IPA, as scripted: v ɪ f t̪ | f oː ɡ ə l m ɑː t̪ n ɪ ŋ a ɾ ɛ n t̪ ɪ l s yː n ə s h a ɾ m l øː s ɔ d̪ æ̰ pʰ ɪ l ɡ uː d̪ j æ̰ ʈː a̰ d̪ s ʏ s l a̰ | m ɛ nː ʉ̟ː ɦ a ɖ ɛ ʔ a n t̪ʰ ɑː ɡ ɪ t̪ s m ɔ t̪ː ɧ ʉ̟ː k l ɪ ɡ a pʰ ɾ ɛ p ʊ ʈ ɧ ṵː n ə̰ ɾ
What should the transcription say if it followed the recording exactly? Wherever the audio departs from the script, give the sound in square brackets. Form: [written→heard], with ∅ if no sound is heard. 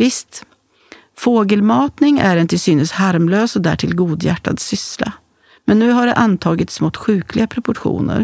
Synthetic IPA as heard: v ɪ [f→s] t̪ | f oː ɡ ə l m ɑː t̪ n ɪ ŋ [a→æ] ɾ ɛ n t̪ ɪ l s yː n ə s h a ɾ m l øː s ɔ d̪ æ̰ [pʰ→ʈʰ] ɪ l ɡ uː d̪ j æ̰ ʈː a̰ d̪ s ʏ s l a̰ | m ɛ nː ʉ̟ː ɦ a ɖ ɛ ʔ a n t̪ʰ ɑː ɡ ɪ t̪ s m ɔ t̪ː ɧ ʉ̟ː k l ɪ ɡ a pʰ ɾ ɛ p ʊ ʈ ɧ ṵː n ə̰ ɾ